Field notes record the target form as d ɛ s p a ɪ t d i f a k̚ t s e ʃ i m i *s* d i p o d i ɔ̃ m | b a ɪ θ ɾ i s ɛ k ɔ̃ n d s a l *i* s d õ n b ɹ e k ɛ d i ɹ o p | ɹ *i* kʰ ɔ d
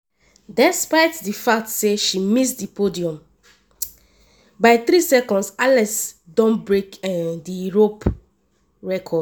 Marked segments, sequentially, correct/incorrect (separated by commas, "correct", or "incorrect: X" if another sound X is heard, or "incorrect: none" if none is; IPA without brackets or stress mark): correct, incorrect: ɛ, incorrect: ɛ